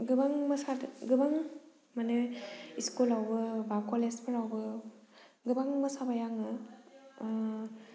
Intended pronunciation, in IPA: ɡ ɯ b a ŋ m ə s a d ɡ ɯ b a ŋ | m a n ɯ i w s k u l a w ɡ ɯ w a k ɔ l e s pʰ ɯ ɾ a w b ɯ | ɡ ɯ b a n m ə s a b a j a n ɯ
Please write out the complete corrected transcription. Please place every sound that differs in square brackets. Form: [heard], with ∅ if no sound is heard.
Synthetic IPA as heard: ɡ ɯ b a ŋ m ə s a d ɡ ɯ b a ŋ | m a n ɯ i [∅] s k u l a w [b] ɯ [b] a k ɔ l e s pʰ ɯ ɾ a w b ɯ | ɡ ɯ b a [ŋ] m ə s a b a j a [ŋ] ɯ